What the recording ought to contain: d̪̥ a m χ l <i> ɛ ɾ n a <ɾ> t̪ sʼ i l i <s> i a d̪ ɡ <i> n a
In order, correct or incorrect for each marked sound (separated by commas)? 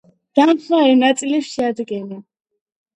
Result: incorrect, incorrect, incorrect, incorrect